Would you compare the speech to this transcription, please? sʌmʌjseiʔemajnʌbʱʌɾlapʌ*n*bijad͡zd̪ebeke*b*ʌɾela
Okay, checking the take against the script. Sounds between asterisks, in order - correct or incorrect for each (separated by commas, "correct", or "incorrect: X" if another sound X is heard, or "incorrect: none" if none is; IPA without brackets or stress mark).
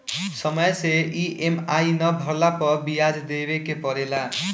incorrect: none, incorrect: p